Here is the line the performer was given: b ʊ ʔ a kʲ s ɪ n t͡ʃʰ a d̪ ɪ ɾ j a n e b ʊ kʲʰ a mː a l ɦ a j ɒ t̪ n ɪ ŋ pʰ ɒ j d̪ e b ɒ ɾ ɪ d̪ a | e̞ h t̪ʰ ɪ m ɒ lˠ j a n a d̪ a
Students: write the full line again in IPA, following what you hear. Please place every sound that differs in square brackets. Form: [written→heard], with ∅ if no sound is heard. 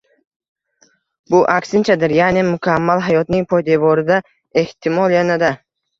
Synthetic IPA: b ʊ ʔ a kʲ s ɪ n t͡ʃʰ a d̪ ɪ ɾ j a n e [b→m] ʊ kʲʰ a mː a l ɦ a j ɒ t̪ n ɪ ŋ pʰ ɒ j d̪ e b ɒ ɾ ɪ d̪ a | e̞ h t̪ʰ ɪ m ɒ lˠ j a n a d̪ a